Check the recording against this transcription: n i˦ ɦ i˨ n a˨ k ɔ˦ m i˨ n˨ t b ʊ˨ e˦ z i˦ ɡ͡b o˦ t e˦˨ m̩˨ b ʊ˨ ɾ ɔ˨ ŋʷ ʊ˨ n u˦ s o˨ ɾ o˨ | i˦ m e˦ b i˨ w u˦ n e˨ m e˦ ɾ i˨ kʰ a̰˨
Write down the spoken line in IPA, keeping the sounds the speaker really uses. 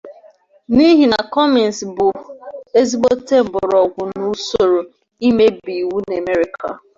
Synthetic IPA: n i˦ ɦ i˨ n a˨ k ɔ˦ m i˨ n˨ s b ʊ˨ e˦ z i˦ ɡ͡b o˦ t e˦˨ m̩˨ b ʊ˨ ɾ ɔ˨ ɡʷ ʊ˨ n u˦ s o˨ ɾ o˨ | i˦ m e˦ b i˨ w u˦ n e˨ m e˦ ɾ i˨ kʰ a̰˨